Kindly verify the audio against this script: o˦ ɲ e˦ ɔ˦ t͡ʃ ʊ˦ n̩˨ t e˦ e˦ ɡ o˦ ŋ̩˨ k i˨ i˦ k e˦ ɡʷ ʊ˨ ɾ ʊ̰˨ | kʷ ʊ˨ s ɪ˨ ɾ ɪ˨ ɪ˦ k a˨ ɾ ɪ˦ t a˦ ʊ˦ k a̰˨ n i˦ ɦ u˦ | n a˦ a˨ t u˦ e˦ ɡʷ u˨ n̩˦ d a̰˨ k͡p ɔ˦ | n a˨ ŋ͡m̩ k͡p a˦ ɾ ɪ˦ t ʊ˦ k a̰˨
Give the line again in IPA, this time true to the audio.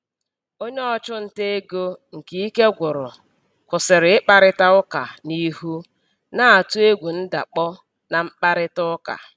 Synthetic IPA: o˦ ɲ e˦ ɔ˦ t͡ʃ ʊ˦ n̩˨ t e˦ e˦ ɡ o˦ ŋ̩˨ k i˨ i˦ k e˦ ɡʷ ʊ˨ ɾ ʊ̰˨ | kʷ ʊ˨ s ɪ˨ ɾ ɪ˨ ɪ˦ k͡p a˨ ɾ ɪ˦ t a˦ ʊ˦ k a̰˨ n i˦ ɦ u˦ | n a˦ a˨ t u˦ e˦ ɡʷ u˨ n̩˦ d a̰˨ k͡p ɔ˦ | n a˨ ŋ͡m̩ k͡p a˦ ɾ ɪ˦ t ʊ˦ k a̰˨